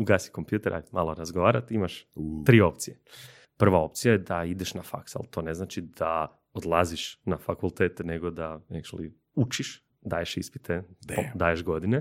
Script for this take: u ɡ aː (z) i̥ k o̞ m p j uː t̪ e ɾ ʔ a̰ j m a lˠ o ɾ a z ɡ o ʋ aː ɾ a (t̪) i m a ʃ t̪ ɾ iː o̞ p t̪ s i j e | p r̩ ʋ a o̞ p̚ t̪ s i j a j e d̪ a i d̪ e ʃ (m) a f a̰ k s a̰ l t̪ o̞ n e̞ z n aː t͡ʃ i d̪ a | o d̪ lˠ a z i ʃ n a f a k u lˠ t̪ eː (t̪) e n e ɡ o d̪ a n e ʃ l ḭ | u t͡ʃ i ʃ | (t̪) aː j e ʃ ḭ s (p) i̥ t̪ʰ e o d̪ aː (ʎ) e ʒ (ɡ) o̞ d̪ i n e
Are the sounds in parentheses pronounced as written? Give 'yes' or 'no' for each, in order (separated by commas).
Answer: no, yes, no, yes, no, yes, no, yes